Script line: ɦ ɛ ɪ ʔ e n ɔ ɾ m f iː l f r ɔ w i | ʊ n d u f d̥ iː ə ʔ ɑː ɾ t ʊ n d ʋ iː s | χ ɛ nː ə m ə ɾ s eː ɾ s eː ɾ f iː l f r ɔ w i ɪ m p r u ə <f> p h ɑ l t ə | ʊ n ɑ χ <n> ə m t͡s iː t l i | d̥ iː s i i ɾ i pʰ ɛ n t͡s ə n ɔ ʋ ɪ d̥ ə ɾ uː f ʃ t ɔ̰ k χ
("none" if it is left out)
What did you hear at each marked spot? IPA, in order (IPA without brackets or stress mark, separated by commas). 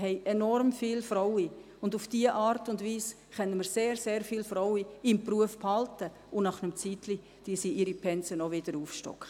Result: f, n